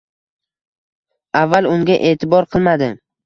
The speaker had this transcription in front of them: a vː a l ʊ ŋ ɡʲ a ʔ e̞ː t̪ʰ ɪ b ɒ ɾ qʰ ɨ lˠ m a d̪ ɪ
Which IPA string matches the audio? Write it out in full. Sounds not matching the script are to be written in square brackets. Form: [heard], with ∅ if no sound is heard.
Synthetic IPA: a vː a l ʊ ŋ ɡʲ a ʔ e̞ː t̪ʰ ɪ b ɒ ɾ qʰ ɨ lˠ m a d̪ ɪ